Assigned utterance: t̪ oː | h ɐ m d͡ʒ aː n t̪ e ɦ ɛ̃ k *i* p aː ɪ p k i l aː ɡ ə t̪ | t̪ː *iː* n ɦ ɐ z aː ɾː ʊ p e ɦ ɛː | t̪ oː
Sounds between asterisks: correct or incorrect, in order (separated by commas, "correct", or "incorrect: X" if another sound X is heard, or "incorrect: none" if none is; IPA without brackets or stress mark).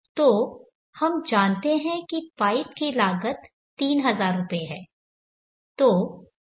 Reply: correct, correct